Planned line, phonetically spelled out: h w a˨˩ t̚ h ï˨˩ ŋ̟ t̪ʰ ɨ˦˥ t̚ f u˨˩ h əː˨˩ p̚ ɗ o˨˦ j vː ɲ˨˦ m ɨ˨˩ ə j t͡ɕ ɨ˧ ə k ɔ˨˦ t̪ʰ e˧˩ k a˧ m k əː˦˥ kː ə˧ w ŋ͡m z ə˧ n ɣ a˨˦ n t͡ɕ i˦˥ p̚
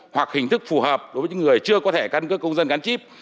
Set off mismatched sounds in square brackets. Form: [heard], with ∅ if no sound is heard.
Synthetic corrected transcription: h w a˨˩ [k̚] h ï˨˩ ŋ̟ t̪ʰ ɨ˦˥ [k̚] f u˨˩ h əː˨˩ p̚ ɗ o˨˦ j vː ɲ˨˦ [ŋ] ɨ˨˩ ə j t͡ɕ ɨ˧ ə k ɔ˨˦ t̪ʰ e˧˩ k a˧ [n] k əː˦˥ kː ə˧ w ŋ͡m z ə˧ n ɣ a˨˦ n t͡ɕ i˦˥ p̚